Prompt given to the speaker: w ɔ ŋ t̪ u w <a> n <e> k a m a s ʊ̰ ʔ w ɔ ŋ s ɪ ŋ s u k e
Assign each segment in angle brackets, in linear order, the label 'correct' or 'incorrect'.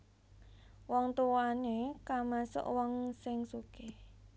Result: correct, correct

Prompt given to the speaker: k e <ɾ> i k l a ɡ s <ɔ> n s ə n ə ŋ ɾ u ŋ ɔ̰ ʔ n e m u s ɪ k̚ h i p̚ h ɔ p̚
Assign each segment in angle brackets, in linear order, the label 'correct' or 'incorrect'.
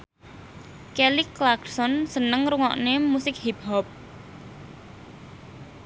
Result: incorrect, correct

